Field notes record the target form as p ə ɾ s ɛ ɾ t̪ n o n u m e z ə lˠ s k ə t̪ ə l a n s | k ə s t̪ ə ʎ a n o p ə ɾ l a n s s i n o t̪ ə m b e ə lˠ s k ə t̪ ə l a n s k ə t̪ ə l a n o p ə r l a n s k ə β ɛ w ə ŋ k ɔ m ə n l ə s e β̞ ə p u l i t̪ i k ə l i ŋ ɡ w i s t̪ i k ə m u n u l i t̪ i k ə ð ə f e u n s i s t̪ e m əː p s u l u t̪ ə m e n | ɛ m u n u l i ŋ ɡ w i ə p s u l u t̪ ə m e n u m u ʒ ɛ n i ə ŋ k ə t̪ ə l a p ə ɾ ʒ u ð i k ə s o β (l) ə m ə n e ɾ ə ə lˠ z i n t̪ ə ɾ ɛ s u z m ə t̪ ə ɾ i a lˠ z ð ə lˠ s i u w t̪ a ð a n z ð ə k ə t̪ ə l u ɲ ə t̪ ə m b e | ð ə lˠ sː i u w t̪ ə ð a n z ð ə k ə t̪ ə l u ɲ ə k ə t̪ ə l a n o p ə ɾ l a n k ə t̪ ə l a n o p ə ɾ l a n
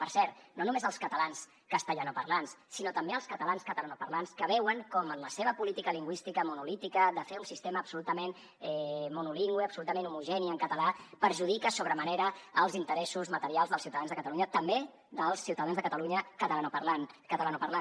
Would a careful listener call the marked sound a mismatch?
yes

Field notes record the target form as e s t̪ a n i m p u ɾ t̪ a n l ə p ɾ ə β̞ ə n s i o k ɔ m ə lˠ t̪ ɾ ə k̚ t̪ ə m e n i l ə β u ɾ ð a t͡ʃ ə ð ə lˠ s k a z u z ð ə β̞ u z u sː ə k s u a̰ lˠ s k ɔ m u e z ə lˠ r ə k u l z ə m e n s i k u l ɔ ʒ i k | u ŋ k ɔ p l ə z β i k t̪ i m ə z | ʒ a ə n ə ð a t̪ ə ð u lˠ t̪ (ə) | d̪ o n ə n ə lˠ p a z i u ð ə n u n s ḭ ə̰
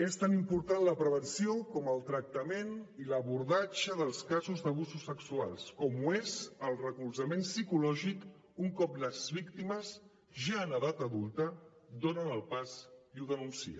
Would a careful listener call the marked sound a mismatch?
no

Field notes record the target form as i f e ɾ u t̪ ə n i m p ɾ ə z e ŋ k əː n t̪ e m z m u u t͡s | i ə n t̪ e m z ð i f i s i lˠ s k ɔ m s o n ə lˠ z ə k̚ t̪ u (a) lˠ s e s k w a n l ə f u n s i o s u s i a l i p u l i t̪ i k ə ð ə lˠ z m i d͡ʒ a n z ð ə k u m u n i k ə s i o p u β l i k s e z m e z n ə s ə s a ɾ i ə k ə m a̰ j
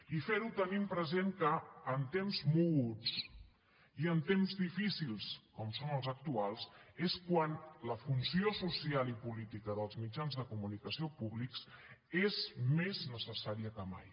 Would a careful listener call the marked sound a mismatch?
no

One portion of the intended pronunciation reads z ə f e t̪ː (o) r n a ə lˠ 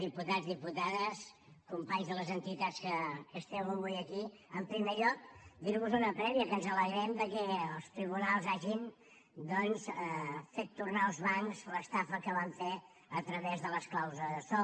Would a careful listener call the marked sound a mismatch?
yes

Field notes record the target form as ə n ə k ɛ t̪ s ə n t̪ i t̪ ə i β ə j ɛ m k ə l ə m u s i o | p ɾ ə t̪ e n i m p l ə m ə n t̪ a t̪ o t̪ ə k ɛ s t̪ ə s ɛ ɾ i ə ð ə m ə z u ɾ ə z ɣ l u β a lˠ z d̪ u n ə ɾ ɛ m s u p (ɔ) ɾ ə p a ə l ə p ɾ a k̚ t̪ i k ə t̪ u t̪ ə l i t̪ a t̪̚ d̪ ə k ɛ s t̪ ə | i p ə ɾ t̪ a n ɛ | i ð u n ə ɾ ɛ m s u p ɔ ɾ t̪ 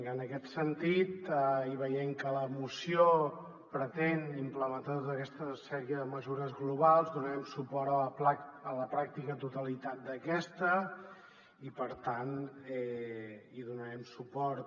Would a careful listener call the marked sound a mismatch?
no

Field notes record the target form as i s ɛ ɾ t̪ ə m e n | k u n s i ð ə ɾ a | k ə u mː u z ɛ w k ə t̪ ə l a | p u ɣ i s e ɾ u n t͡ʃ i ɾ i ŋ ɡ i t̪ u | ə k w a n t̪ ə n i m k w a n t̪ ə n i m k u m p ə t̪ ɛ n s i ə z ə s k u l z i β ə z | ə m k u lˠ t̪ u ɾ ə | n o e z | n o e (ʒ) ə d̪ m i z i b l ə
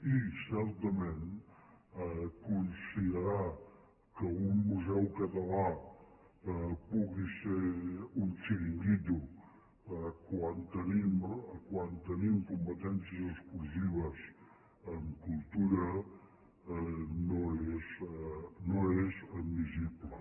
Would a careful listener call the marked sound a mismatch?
yes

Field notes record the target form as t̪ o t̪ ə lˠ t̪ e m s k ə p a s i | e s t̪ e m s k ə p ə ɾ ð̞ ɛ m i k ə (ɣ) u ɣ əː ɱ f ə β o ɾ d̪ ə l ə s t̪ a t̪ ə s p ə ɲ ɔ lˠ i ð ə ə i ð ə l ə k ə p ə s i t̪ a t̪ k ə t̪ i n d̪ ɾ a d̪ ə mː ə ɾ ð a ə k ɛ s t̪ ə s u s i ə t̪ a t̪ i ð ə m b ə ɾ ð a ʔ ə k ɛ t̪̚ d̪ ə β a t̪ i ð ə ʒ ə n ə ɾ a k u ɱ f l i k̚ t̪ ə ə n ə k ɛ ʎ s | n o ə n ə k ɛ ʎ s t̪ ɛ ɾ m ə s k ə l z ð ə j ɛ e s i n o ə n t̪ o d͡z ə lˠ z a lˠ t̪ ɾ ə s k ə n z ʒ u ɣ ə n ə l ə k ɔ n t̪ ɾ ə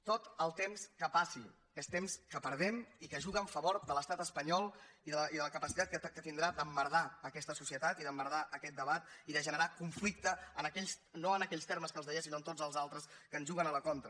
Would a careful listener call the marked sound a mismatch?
yes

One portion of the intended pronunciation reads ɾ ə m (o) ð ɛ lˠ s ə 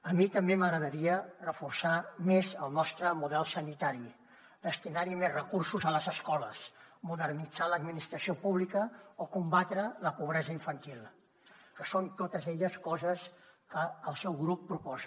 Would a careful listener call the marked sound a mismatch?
yes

